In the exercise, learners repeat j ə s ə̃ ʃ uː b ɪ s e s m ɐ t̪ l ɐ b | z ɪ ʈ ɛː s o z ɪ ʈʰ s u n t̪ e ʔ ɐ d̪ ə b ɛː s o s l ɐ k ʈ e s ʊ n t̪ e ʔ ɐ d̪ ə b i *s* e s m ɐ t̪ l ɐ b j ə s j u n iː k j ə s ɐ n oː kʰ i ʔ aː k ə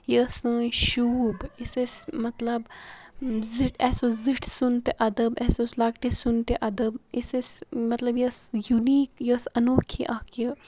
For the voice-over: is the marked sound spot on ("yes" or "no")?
yes